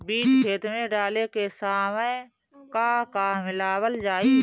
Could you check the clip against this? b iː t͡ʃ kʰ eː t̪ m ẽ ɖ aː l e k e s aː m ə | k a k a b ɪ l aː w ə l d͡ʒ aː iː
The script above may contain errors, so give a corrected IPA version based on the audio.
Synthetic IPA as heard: b iː t͡ʃ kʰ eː t̪ m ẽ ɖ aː l e k e s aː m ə | k a k a m ɪ l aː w ə l d͡ʒ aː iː